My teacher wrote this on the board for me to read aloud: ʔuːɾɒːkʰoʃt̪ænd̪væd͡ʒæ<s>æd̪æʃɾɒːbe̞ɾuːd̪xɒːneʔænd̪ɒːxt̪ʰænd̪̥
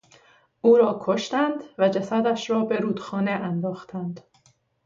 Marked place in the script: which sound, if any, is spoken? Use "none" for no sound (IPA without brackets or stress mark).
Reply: s